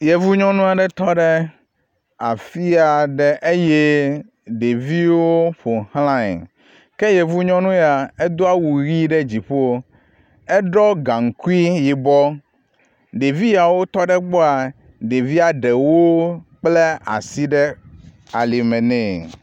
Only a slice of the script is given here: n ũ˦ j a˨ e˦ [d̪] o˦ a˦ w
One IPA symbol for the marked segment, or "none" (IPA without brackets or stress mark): d̪